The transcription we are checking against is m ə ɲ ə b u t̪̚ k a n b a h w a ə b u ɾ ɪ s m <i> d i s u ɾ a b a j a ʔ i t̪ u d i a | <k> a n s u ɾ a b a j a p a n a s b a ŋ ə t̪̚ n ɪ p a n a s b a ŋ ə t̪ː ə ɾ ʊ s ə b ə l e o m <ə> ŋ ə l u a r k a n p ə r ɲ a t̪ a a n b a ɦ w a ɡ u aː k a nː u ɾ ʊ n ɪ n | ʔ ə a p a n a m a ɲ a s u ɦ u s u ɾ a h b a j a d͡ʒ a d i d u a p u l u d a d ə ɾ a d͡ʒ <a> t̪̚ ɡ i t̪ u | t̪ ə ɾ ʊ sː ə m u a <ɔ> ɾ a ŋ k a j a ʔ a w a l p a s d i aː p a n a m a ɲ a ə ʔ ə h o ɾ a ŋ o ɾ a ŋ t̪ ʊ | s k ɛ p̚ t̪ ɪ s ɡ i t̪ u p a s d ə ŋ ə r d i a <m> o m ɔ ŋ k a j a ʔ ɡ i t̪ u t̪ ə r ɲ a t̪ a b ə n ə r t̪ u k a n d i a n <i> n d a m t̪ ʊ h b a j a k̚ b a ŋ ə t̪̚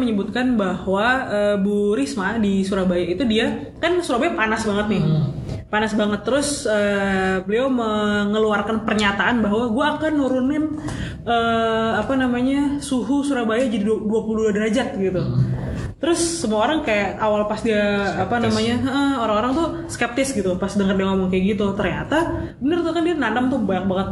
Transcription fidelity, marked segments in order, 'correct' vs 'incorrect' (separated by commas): incorrect, correct, correct, correct, incorrect, incorrect, incorrect